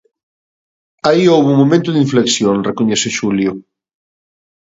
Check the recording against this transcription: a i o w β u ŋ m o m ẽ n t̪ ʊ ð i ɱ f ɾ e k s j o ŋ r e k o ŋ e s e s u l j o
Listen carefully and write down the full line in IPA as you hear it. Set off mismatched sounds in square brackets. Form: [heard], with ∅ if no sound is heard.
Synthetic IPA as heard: a i o w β u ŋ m o m ẽ n t̪ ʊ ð i ɱ f [l] e k s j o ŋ r e k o [ɲ] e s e [ʃ] u l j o